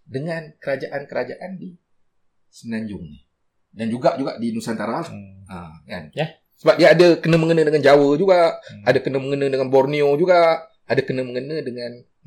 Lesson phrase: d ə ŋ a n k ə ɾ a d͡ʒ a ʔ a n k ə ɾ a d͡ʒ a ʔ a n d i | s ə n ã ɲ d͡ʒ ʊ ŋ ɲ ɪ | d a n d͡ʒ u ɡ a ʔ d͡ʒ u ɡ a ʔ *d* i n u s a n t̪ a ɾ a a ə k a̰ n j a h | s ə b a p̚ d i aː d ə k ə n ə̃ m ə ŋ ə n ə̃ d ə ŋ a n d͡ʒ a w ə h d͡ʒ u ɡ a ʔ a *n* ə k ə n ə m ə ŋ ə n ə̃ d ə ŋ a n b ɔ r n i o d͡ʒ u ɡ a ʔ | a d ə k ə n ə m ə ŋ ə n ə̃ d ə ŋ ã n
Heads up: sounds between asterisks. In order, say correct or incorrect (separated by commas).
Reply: correct, incorrect